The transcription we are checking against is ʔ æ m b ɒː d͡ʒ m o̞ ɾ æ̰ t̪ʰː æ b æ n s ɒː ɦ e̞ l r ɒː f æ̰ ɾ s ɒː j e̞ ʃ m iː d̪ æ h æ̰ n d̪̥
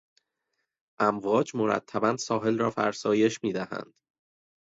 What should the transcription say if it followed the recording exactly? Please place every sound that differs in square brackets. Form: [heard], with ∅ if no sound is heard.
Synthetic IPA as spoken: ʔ æ m [v] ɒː d͡ʒ m o̞ ɾ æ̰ t̪ʰː æ b æ n s ɒː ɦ e̞ l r ɒː f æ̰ ɾ s ɒː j e̞ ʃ m iː d̪ æ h æ̰ n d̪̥